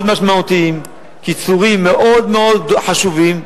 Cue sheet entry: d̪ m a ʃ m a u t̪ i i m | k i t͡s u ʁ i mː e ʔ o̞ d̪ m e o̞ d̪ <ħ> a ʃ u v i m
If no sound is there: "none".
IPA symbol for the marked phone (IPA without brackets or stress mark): ħ